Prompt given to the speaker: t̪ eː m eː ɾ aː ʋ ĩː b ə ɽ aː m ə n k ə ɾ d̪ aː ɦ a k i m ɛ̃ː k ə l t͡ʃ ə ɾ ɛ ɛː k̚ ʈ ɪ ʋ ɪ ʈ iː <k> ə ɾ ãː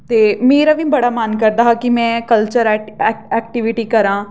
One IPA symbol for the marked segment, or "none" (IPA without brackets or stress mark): k